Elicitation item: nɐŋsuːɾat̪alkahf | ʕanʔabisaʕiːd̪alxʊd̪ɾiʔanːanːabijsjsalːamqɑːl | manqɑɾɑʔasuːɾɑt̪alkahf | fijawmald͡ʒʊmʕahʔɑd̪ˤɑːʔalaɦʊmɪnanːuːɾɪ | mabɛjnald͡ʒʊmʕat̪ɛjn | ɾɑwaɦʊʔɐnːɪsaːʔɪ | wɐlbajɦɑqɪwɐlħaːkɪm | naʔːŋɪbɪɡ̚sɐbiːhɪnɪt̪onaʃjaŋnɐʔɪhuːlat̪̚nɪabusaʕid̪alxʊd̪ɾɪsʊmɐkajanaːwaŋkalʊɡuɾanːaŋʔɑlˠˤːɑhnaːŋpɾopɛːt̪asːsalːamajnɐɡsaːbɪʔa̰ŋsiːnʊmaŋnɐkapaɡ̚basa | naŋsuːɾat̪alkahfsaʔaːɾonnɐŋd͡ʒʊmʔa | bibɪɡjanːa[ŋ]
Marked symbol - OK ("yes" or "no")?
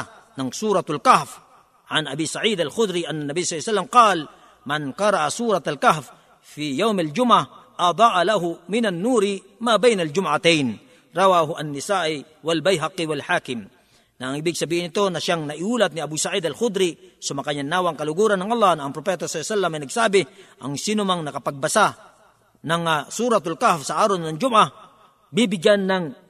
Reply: yes